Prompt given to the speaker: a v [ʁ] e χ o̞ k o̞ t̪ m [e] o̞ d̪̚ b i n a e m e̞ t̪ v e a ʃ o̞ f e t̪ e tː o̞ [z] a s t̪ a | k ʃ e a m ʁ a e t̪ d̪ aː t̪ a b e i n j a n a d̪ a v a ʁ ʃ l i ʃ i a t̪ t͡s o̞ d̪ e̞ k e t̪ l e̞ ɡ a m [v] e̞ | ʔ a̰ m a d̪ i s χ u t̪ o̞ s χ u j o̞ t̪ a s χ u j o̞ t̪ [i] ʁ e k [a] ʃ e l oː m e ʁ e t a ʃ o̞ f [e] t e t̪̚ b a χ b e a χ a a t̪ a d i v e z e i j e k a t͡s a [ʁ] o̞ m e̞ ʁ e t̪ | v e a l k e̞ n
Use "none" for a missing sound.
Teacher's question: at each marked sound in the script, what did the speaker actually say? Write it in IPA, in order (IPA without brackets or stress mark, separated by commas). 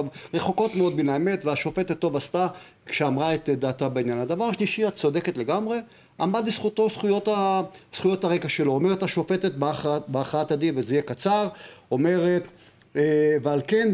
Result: ʁ, e, v, ʁ, a, a, e, ʁ